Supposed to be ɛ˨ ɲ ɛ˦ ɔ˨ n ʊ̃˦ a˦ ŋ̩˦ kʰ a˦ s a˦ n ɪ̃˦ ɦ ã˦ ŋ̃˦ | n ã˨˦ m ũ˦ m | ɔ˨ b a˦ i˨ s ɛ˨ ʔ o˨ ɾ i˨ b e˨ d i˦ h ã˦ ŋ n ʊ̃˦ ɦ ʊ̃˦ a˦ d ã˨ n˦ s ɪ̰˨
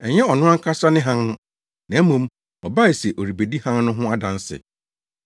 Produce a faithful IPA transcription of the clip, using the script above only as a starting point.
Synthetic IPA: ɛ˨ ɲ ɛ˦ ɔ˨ n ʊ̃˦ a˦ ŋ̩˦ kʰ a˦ s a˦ n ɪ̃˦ ɦ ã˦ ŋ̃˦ | n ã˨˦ m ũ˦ m | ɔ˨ b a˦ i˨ s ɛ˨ ʔ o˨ ɾ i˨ b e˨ d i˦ h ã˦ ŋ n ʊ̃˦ ɦ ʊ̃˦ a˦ d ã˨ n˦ s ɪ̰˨